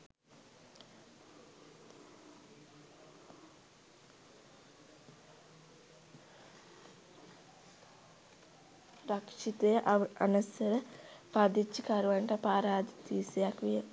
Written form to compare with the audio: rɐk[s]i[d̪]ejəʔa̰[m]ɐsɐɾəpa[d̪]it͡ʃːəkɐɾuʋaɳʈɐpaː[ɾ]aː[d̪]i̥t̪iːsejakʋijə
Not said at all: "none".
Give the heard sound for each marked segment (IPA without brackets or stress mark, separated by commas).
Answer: ʂ, t̪, n, d̪, ɾ, d̪